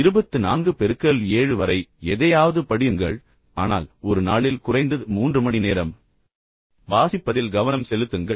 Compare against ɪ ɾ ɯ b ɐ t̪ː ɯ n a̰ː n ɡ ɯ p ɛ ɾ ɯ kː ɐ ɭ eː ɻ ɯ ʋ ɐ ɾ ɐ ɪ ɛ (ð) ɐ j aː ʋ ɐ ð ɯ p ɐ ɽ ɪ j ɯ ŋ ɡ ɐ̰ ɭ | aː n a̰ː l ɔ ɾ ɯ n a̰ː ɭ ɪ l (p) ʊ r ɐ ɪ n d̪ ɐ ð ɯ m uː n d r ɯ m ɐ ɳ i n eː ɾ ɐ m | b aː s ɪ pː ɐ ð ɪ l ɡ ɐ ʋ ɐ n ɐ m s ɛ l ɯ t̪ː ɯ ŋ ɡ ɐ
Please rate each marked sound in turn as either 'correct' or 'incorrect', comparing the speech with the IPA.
correct, incorrect: k

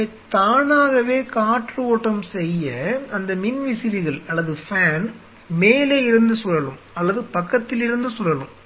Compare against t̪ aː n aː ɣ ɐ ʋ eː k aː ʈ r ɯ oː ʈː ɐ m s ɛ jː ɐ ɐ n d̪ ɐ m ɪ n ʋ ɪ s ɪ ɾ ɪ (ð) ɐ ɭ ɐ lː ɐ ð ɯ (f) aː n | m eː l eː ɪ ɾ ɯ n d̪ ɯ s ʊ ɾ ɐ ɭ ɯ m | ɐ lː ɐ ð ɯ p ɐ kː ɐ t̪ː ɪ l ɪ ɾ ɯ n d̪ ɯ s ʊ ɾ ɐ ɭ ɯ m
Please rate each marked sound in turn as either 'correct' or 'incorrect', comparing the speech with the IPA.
incorrect: ɣ, correct

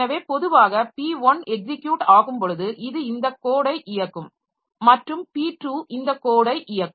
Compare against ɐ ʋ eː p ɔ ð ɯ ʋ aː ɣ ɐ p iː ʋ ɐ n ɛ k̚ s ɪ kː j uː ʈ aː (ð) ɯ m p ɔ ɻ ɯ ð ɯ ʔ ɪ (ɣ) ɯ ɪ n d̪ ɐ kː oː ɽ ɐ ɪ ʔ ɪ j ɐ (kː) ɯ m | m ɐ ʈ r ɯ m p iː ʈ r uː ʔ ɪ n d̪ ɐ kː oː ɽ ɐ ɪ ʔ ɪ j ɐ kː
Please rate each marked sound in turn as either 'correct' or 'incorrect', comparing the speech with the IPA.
incorrect: ɣ, incorrect: ð, correct

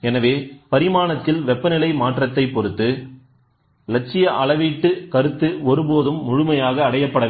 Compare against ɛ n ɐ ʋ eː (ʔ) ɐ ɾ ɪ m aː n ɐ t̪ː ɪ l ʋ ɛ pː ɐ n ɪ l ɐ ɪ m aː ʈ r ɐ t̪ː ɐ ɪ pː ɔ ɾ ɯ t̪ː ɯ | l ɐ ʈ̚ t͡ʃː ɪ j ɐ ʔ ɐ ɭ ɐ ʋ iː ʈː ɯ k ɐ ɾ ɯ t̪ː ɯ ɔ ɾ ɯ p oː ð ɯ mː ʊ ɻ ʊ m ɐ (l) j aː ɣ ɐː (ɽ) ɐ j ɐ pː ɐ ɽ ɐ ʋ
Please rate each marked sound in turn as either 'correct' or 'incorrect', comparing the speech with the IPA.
incorrect: p, incorrect: none, correct

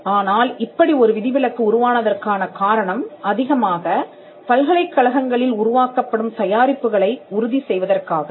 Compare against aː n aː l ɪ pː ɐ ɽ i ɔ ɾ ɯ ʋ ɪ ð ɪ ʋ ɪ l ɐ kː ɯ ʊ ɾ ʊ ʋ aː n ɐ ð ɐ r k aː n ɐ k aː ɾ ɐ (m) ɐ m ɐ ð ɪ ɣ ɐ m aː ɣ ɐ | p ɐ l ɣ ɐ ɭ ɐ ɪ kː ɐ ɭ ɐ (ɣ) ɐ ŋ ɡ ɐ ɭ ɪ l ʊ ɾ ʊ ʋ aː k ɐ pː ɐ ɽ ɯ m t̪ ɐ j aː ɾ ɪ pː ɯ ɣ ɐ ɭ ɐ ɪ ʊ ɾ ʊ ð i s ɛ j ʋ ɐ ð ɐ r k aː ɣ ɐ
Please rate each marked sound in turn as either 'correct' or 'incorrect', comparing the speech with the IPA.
incorrect: ɳ, correct

